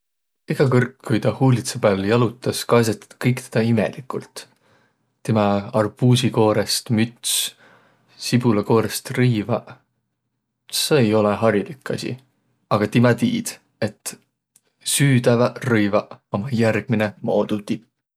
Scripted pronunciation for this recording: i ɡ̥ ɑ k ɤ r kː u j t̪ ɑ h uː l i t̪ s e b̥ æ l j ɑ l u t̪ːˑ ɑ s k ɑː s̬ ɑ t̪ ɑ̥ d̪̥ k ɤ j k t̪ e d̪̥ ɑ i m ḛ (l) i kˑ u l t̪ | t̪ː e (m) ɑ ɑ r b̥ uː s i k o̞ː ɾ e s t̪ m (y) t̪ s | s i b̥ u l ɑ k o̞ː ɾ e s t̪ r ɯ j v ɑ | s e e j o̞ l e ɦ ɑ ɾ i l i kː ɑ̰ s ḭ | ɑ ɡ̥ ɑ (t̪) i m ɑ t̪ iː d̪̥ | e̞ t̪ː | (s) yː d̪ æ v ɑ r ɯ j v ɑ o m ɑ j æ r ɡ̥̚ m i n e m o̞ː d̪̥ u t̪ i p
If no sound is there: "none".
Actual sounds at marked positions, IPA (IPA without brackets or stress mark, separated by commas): l, m, y, t̪, s